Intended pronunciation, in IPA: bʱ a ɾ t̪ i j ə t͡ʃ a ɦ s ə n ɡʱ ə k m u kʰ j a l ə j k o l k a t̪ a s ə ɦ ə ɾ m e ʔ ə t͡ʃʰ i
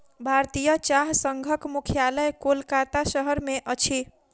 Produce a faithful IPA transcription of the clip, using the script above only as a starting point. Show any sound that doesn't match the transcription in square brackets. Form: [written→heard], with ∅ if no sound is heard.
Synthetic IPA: bʱ a ɾ t̪ i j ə t͡ʃ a ɦ s ə [n→ŋ] ɡʱ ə k m u kʰ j a l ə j k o l k a t̪ a s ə ɦ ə ɾ m e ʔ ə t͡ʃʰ i